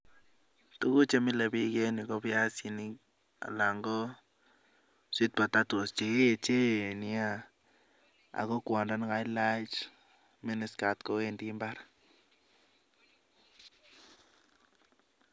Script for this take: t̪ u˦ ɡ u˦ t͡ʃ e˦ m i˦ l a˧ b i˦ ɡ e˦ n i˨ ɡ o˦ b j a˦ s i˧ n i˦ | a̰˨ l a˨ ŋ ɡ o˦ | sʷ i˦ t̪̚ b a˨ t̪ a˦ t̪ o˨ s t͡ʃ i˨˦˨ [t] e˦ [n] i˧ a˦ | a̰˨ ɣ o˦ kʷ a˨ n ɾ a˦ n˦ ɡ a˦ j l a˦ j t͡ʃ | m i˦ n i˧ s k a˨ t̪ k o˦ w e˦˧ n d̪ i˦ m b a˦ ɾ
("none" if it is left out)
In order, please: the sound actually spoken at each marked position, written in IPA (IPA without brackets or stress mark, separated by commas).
t͡ʃ, n